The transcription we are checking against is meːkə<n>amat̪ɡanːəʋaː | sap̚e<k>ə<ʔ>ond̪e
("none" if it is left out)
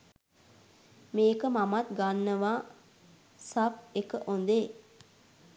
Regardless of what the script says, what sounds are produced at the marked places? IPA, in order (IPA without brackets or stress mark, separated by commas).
m, k, ʔ